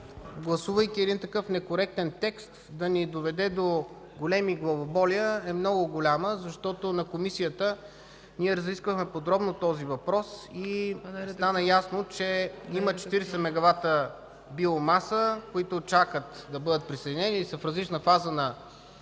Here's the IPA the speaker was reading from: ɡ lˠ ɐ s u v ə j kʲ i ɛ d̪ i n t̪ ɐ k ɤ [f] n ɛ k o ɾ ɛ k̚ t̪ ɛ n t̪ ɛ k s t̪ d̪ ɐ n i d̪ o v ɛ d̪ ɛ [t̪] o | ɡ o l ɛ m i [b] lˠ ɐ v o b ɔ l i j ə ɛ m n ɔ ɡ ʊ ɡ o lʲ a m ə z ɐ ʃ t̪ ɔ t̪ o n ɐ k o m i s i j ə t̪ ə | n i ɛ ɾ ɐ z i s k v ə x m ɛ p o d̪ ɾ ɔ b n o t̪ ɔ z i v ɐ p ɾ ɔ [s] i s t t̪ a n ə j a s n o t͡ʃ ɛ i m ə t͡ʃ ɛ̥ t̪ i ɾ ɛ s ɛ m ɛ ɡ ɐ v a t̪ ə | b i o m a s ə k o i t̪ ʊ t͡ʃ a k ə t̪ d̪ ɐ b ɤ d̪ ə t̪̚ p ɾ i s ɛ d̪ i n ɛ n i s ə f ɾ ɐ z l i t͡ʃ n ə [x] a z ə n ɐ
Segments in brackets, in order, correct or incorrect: correct, incorrect: d̪, incorrect: ɡ, correct, incorrect: f

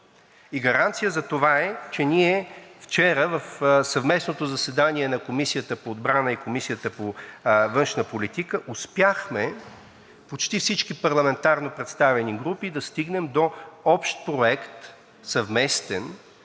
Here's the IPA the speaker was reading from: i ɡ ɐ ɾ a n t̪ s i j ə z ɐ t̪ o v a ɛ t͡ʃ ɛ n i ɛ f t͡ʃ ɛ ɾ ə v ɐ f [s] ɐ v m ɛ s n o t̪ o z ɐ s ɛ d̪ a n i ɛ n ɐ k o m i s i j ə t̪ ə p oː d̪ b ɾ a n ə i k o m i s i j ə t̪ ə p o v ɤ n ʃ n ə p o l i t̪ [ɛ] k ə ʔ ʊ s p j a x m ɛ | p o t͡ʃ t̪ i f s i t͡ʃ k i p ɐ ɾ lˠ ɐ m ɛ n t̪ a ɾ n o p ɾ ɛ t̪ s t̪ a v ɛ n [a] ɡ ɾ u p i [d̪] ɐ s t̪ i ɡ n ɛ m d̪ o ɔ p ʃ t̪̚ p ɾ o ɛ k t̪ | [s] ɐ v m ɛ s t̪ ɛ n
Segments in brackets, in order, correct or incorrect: correct, incorrect: i, incorrect: i, correct, correct

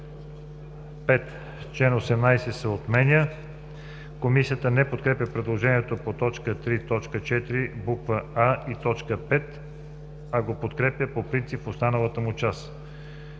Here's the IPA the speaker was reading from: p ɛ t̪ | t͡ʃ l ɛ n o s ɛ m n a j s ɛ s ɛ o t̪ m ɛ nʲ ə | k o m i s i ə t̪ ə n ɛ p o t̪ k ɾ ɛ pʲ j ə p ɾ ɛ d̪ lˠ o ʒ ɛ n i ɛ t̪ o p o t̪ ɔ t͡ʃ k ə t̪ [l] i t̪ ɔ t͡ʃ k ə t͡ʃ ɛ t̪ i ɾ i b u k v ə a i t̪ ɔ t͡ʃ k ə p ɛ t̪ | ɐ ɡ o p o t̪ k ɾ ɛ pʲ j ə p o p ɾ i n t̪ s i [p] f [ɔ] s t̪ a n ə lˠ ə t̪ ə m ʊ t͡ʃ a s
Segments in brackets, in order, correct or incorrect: incorrect: ɾ, correct, incorrect: o

